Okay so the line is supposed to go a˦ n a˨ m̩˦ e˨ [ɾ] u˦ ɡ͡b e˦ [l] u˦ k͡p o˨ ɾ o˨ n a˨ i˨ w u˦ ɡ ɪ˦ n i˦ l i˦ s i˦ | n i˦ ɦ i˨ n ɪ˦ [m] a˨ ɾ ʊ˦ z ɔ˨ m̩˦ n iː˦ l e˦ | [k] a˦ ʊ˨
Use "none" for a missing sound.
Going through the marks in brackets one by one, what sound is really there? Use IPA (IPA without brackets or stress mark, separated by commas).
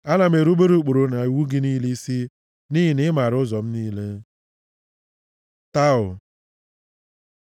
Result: ɾ, ɾ, m, t